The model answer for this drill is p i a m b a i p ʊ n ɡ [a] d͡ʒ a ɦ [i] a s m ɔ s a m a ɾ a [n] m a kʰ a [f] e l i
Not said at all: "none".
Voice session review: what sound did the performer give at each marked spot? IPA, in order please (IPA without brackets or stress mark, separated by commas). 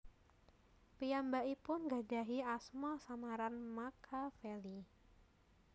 a, i, n, f